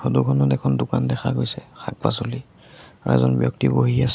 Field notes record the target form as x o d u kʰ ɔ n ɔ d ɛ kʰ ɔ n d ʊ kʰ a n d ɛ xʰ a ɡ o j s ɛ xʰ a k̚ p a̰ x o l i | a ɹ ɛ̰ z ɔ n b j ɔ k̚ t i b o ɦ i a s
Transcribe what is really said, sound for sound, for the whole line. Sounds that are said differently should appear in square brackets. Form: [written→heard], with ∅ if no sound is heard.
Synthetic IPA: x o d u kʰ ɔ n ɔ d ɛ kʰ ɔ n d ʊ [kʰ→k] a n d ɛ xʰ a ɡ o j s ɛ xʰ a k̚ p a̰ [x→s] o l i | a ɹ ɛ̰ z ɔ n b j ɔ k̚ t i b o ɦ i a s

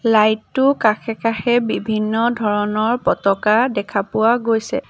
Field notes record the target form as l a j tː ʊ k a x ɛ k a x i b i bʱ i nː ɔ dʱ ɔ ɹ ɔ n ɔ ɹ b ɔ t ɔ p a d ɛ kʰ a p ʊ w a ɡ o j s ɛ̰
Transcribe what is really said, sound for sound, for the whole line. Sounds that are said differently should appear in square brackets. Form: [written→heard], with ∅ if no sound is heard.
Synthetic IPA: l a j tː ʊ k a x ɛ k a x [i→ɛ] b i bʱ i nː ɔ dʱ ɔ ɹ ɔ n ɔ ɹ [b→p] ɔ t ɔ [p→k] a d ɛ kʰ a p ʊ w a ɡ o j s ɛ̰

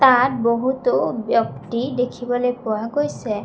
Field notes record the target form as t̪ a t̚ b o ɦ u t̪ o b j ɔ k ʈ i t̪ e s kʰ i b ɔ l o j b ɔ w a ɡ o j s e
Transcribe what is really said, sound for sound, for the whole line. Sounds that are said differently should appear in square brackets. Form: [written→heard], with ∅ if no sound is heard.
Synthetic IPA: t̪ a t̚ b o ɦ u t̪ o b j ɔ k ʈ i [t̪→d̪] e [s→∅] kʰ i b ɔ l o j [b→p] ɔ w a ɡ o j s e

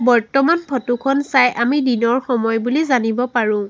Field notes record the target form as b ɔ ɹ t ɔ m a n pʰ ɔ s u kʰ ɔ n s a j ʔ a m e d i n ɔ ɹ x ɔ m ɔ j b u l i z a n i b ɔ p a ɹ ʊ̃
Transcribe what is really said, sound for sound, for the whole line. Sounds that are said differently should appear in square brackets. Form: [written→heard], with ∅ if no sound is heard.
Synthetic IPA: b ɔ ɹ t ɔ m a n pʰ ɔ [s→t] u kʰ ɔ n s a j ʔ a m [e→i] d i n ɔ ɹ x ɔ m ɔ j b u l i z a n i b ɔ p a ɹ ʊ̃

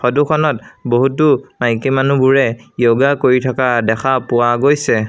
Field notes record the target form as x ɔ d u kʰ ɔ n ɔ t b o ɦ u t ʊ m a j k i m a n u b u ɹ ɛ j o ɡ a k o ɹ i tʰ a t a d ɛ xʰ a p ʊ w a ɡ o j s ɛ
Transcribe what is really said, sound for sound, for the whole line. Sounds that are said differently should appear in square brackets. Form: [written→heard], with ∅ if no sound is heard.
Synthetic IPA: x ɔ d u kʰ ɔ n ɔ t b o ɦ u t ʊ m a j k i m a n u b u ɹ ɛ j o ɡ a k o ɹ i tʰ a [t→k] a d ɛ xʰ a p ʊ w a ɡ o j s ɛ

